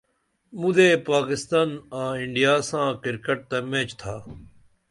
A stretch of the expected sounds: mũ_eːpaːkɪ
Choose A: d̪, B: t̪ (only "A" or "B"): A